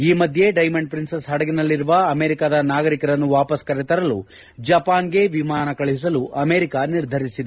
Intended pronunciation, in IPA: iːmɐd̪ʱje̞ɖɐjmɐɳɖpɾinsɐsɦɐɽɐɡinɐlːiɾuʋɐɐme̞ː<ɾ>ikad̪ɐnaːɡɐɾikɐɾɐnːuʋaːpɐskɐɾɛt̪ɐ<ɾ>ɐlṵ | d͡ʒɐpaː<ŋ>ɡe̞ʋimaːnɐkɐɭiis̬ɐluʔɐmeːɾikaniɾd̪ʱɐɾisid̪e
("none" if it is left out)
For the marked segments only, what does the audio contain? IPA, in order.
ɾ, ɾ, n

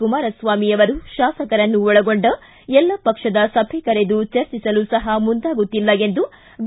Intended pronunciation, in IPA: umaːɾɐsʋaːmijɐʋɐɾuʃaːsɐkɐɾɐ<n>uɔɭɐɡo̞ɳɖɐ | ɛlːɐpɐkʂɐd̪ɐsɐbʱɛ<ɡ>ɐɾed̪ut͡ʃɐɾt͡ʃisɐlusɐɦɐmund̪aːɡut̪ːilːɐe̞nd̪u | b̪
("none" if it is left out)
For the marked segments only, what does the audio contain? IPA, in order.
nː, k

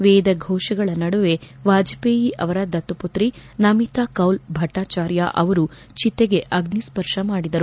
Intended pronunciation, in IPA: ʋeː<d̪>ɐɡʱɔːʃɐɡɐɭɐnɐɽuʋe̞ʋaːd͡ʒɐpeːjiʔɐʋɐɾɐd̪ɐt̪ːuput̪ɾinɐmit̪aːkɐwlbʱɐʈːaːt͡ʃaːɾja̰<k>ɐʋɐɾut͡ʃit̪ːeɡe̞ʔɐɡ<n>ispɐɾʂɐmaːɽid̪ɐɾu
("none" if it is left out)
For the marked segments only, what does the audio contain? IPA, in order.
d̪, ʔ, n

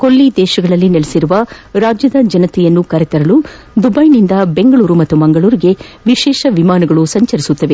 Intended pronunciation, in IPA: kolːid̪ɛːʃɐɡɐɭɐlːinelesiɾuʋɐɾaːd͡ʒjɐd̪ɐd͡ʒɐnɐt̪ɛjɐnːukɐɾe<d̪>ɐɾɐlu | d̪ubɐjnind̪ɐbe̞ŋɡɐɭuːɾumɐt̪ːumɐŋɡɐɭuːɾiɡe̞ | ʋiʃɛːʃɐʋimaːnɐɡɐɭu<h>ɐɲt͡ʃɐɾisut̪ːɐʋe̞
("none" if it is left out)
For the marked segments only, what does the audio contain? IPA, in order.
t̪, s

